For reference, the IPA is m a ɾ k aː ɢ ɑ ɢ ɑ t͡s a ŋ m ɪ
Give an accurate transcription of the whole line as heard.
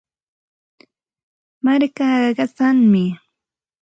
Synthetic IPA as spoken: m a ɾ k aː ɢ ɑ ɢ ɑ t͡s a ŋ m ɪ